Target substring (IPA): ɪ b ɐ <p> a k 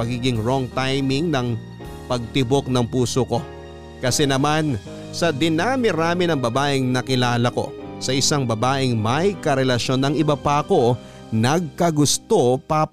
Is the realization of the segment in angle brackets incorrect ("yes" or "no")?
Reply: no